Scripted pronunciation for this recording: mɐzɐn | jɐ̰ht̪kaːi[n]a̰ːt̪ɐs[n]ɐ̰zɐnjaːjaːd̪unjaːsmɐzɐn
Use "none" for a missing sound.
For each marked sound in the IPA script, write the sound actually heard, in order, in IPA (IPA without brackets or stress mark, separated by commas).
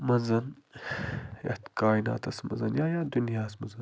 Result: n, m